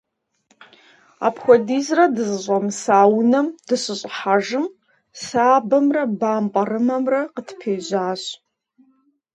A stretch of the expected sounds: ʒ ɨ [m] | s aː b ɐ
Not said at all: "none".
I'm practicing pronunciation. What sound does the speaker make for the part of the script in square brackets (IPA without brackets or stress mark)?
m